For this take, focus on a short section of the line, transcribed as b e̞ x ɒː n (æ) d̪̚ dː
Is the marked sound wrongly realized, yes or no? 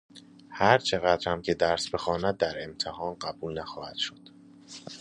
no